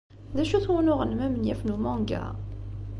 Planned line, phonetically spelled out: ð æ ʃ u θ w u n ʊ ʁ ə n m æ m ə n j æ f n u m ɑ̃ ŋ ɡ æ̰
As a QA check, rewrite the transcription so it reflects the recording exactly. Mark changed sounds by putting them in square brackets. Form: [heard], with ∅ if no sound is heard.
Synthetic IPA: ð æ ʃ u θ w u n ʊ ʁ ə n m æ m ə n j æ f n u m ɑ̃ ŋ ɡ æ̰

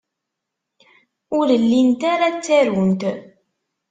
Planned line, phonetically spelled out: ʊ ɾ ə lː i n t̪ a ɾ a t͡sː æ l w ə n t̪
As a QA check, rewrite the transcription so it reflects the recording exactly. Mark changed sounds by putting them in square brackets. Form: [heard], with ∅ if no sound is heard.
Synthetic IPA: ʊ ɾ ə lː i n t̪ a ɾ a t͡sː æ [ɾ] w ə n t̪

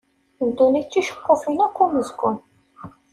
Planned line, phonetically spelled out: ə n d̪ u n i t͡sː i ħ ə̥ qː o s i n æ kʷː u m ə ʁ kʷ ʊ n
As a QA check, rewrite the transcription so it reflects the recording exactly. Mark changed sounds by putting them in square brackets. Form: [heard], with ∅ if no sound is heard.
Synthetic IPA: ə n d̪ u n i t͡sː i [ʃ] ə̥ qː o [f] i n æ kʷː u m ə [z] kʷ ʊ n

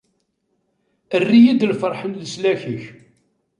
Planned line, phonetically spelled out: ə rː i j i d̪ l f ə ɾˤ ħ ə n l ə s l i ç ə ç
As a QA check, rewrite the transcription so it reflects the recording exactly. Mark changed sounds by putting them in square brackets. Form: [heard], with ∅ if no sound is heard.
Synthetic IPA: ə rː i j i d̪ l f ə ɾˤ ħ ə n l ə s l [æ] ç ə ç

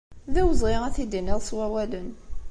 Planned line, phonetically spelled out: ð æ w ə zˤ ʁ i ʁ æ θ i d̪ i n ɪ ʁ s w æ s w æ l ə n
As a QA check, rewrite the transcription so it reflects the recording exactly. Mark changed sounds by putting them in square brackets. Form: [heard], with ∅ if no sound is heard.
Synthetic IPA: ð æ w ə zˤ ʁ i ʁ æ θ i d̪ i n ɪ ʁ s w æ [∅] w æ l ə n

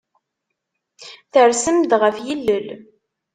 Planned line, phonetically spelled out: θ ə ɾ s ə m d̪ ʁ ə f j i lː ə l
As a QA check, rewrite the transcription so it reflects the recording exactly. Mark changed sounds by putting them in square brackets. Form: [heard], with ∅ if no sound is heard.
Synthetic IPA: θ ə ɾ s ə m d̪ ʁ ə f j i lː ə l

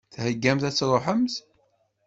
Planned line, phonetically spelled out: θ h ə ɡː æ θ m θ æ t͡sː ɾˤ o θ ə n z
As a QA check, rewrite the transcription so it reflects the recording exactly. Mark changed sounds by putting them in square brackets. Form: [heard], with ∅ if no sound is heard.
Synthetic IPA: θ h ə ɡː æ [∅] m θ æ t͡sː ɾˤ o [ħ] ə [m] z

